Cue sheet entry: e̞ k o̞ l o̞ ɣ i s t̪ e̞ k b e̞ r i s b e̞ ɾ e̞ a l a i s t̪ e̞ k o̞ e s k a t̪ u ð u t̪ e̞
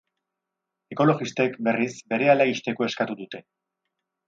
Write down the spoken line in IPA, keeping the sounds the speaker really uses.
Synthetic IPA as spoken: e̞ k o̞ l o̞ ɣ i s t̪ e̞ k b e̞ r i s b e̞ ɾ e̞ a l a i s t̪ e̞ k o̞ e s k a t̪ u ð u t̪ e̞